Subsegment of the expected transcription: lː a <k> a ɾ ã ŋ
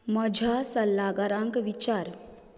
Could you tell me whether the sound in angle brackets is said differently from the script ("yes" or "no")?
yes